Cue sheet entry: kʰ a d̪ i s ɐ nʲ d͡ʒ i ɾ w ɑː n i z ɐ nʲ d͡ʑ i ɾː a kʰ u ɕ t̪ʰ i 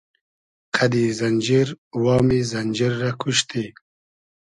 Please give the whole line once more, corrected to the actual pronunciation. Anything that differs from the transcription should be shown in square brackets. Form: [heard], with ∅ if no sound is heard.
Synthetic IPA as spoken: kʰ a d̪ i [z] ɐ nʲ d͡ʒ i ɾ w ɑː [m] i z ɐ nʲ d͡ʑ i ɾː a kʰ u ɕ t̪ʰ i